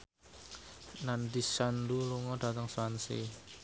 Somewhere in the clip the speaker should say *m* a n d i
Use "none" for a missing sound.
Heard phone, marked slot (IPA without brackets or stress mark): n